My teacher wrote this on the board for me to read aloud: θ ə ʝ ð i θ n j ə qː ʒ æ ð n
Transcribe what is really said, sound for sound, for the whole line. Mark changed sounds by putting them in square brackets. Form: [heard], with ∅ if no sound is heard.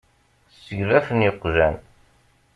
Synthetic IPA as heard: [s] ə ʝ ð [æ] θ n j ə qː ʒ æ [∅] n